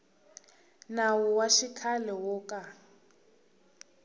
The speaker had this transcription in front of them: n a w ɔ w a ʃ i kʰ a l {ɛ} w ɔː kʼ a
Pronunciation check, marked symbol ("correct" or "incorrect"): correct